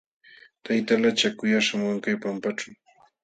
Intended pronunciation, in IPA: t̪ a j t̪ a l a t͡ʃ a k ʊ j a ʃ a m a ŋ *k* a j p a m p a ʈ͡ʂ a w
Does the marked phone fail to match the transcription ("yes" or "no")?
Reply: no